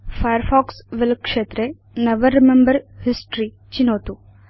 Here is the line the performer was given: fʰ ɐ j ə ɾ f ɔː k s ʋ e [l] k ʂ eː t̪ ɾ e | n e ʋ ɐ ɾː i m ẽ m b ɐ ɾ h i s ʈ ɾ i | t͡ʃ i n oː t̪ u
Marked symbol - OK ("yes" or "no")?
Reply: yes